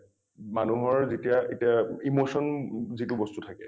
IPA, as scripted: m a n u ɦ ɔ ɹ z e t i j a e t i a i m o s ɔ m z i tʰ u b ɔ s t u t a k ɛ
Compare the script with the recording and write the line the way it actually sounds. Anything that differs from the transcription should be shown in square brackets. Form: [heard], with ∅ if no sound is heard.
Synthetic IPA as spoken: m a n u ɦ ɔ ɹ z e t i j a e t i a i m o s ɔ [n] z i [t] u b ɔ s t u [tʰ] a k ɛ